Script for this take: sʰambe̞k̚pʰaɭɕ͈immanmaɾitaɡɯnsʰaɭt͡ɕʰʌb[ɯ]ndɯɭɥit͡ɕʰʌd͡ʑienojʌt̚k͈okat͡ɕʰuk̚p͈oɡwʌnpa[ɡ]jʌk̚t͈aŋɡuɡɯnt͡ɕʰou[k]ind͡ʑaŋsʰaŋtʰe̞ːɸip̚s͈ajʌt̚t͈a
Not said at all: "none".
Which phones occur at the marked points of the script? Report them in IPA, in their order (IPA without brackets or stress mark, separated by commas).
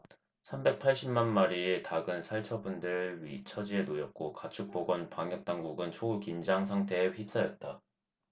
u, ŋ, k